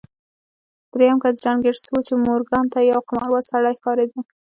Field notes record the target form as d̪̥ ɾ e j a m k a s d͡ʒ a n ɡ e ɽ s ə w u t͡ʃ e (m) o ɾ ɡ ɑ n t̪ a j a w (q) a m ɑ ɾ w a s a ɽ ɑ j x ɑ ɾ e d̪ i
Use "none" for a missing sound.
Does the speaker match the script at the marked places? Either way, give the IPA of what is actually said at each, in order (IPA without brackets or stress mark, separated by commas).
m, q